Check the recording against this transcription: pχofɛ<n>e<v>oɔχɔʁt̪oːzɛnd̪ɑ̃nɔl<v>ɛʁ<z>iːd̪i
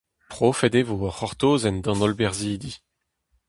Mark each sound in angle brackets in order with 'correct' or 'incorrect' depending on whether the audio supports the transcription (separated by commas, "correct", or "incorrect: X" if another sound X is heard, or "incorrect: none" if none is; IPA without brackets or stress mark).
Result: incorrect: d, correct, incorrect: b, correct